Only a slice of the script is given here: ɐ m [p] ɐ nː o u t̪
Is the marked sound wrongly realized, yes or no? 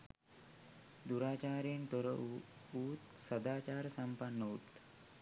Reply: no